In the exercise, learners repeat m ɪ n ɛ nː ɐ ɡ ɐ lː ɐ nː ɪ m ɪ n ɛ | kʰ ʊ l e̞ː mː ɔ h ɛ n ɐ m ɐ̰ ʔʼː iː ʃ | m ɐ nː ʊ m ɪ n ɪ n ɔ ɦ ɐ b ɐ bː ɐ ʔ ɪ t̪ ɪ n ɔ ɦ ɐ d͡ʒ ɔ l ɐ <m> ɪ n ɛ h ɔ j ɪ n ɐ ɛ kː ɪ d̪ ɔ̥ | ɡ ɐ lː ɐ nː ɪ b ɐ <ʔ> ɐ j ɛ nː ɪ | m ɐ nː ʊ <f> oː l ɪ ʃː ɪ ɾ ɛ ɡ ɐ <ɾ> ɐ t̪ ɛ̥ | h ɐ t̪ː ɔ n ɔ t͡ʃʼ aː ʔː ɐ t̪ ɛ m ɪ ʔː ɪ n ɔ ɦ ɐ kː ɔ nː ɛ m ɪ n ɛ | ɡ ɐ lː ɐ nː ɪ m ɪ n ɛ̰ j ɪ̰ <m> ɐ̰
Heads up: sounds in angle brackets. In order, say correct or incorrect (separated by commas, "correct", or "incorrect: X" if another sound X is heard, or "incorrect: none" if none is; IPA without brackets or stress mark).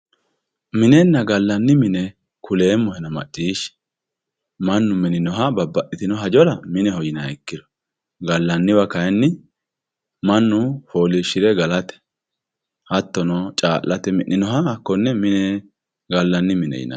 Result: correct, incorrect: k, correct, incorrect: l, incorrect: n